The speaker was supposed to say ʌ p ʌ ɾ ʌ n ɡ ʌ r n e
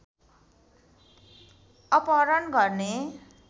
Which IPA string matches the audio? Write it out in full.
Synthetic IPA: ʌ p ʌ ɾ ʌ n ɡ ʌ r n e